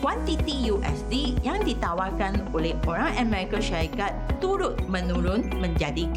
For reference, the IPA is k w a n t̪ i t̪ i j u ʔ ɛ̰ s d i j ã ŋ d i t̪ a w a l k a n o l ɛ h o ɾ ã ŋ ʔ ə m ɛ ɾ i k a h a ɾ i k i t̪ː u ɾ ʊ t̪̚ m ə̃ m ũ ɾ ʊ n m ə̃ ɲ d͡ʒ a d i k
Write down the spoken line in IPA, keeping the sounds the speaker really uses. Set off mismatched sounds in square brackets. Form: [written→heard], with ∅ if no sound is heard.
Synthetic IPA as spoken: k w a n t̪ i t̪ i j u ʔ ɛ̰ s d i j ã ŋ d i t̪ a w a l k a n o l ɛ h o ɾ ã ŋ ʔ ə m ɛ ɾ i k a [h→ʃ] a ɾ i k [i→a] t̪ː u ɾ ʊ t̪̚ m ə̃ [m→n] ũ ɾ ʊ n m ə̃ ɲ d͡ʒ a d i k